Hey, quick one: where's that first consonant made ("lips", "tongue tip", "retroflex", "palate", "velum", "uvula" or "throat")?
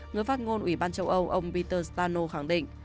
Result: velum